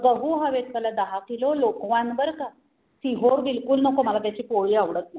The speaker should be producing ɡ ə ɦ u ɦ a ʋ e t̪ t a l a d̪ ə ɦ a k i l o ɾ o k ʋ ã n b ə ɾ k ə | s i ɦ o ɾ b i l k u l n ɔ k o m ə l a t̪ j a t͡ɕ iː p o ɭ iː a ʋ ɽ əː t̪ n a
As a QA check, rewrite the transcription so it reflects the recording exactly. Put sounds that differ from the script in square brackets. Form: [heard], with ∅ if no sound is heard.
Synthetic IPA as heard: ɡ ə ɦ u ɦ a ʋ e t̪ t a l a d̪ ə ɦ a k i l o [l] o k ʋ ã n b ə ɾ k [a] | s i ɦ o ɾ b i l k u l n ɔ k o m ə l a t̪ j a t͡ɕ iː p o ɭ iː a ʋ ɽ [ə] t̪ n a